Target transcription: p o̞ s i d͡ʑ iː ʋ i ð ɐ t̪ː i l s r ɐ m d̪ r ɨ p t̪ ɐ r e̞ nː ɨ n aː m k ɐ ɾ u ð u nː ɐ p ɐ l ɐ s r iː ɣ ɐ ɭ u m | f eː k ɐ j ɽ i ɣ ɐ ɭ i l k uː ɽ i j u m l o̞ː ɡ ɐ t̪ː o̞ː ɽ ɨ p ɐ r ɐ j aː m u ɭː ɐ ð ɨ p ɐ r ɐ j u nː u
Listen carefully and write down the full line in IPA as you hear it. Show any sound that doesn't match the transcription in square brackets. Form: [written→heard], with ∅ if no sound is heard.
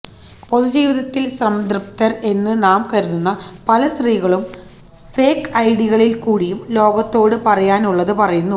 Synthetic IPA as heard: p o̞ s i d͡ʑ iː ʋ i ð ɐ t̪ː i l s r ɐ m d̪ r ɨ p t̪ ɐ r e̞ nː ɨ n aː m k ɐ ɾ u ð u nː ɐ p ɐ l ɐ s r iː ɣ ɐ ɭ u m | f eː k ɐ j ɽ i ɣ ɐ ɭ i l k uː ɽ i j u m l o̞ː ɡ ɐ t̪ː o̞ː ɽ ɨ p ɐ r ɐ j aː [m→n] u ɭː ɐ ð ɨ p ɐ r ɐ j u nː u